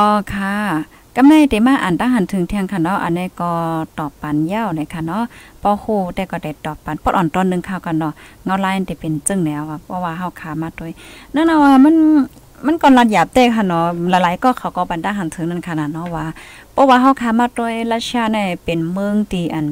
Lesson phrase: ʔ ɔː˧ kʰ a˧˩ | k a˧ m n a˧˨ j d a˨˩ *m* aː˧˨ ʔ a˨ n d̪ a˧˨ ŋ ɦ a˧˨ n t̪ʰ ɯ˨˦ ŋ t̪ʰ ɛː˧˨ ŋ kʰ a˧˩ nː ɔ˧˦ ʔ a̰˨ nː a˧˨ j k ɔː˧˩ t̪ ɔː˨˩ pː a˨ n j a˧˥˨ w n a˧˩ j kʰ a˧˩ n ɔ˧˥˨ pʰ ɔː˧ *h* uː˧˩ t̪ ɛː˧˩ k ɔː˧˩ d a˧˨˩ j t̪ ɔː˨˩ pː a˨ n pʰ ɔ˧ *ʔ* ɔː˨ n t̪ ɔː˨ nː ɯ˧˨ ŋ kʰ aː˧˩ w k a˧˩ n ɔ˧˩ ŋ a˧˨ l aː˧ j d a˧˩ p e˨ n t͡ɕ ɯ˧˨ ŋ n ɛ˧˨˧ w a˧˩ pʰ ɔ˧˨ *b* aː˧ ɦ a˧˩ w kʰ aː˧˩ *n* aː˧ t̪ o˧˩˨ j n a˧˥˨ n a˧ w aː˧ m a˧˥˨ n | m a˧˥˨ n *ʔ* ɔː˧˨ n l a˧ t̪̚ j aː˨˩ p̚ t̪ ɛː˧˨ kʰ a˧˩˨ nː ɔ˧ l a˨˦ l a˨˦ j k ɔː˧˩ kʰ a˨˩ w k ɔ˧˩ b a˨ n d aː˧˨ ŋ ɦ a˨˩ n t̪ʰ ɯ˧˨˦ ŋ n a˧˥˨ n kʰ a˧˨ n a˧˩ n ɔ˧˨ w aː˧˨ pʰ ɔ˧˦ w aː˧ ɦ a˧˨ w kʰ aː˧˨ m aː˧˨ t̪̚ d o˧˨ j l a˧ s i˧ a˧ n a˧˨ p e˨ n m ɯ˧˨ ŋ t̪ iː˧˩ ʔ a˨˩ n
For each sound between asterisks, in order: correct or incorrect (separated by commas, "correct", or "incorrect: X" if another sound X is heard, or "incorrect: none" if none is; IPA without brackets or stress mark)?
correct, correct, correct, incorrect: w, incorrect: m, incorrect: k